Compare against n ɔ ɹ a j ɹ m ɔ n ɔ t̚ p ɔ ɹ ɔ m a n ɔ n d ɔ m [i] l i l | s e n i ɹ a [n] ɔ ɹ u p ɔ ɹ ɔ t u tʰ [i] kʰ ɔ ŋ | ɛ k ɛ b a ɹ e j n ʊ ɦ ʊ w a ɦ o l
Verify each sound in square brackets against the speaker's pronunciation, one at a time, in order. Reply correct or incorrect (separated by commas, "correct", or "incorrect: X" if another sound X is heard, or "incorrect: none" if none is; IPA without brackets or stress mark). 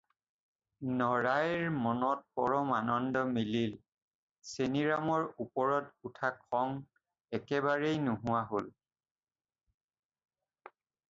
correct, incorrect: m, incorrect: a